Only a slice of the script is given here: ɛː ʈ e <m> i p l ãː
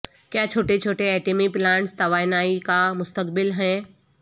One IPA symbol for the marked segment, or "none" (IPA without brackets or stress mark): m